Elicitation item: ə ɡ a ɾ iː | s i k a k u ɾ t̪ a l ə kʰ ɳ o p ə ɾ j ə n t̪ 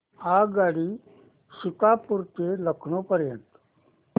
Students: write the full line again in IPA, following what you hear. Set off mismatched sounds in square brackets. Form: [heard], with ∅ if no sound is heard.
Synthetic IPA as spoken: [a] ɡ a [ɽ] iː | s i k a [p] u ɾ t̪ [e] l ə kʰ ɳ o p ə ɾ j ə n t̪